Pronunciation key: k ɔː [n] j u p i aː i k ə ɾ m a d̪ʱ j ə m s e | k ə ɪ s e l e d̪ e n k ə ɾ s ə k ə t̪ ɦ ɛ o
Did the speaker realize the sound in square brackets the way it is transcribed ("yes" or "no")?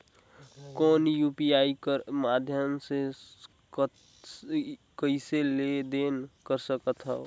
yes